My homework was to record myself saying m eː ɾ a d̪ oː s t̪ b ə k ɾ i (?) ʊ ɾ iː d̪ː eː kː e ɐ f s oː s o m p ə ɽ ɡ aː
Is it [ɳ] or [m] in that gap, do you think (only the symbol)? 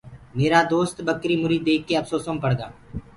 m